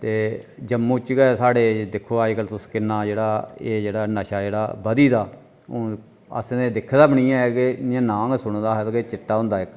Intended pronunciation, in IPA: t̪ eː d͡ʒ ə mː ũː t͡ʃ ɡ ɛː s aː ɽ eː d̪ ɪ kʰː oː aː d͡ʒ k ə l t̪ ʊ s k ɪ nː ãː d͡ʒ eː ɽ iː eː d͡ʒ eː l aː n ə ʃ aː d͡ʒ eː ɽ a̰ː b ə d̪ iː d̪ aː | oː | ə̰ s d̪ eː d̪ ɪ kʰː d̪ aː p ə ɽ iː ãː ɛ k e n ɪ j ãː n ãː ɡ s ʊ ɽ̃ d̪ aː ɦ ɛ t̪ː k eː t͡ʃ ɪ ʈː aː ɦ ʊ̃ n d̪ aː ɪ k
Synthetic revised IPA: t̪ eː d͡ʒ ə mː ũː t͡ʃ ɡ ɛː s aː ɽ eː d̪ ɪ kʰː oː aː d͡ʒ k ə l t̪ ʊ s k ɪ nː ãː d͡ʒ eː ɽ aː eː d͡ʒ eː ɽ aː n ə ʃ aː d͡ʒ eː ɽ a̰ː b ə d̪ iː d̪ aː | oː | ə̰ s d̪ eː d̪ ɪ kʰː d̪ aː b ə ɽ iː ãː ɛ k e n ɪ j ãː n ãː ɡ s ʊ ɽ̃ d̪ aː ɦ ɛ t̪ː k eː t͡ʃ ɪ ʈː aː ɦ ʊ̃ n d̪ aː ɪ k

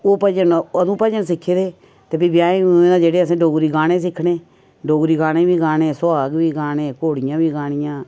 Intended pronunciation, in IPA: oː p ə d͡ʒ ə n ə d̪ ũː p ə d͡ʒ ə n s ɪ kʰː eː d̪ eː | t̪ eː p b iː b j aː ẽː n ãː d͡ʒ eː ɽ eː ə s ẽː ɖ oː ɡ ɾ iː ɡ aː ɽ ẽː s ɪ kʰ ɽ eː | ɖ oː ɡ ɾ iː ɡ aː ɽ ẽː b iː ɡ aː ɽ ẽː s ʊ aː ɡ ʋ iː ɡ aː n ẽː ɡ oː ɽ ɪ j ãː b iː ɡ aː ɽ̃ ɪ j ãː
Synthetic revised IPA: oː p ə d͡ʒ ə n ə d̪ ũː p ə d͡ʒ ə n s ɪ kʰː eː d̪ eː | t̪ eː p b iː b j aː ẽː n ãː d͡ʒ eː ɽ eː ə s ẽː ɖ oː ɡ ɾ iː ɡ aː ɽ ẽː s ɪ kʰ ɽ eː | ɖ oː ɡ ɾ iː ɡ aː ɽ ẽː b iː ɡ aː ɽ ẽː s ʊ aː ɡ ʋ iː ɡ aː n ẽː k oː ɽ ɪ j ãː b iː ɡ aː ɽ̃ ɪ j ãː

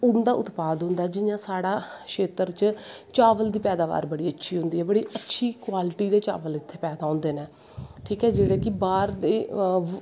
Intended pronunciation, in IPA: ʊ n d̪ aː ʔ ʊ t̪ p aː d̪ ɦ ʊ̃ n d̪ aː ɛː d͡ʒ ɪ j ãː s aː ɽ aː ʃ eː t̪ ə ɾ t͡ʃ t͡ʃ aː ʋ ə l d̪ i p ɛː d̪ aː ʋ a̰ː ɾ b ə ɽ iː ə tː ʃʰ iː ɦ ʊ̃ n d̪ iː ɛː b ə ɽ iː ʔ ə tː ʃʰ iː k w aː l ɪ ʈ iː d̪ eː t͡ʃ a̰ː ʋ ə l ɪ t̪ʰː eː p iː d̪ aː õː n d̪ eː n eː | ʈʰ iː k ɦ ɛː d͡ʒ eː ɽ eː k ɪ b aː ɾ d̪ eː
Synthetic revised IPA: ʊ n d̪ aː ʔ ʊ t̪ p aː d̪ ɦ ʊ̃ n d̪ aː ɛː d͡ʒ ɪ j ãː s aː ɽ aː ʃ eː t̪ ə ɾ t͡ʃ t͡ʃ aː ʋ ə l d̪ iː p ɛː d̪ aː ʋ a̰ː ɾ b ə ɽ iː ə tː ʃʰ iː ɦ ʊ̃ n d̪ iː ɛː b ə ɽ iː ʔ ə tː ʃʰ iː k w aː l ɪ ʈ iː d̪ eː t͡ʃ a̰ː ʋ ə l ɪ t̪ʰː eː p ɛː d̪ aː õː n d̪ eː n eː | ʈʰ iː k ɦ ɛː d͡ʒ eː ɽ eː k ɪ b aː ɾ d̪ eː

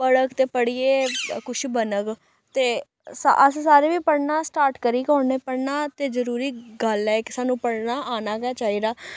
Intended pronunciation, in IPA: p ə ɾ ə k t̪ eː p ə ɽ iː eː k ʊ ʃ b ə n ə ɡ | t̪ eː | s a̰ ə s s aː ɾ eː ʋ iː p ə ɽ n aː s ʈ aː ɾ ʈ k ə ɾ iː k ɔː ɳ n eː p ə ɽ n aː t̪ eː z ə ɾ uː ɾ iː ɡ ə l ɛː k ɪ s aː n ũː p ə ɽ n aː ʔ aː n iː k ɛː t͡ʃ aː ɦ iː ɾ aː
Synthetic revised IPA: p ə ɽ ə k t̪ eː p ə ɽ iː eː k ʊ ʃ b ə n ə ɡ | t̪ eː | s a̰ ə s s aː ɾ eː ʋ iː p ə ɽ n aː s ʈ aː ɾ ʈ k ə ɾ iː k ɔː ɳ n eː p ə ɽ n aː t̪ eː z ə ɾ uː ɾ iː ɡ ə l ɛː k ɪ s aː n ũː p ə ɽ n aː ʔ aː n aː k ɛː t͡ʃ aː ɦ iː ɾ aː

